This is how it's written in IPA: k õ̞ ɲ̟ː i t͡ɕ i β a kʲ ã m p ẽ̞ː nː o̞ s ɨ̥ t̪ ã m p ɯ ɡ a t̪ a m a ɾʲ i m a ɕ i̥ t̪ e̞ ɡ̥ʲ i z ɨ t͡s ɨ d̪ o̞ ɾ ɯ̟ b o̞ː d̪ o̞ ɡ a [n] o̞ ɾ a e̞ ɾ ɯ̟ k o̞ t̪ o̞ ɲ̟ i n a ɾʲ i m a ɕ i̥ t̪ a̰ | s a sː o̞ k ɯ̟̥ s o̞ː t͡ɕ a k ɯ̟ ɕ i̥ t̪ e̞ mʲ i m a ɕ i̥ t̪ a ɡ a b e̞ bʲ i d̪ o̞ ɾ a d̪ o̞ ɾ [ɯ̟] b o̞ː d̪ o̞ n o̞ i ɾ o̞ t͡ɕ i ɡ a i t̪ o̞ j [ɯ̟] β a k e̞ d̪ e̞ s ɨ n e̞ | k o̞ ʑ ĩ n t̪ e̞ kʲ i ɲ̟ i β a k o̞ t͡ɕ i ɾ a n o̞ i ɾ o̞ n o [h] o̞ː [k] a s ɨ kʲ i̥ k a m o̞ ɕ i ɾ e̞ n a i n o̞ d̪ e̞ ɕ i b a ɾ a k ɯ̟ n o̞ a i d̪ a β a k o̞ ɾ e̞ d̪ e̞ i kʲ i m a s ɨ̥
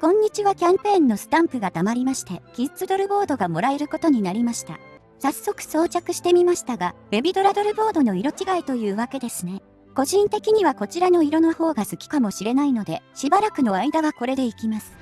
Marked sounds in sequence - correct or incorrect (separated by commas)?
incorrect, correct, incorrect, correct, incorrect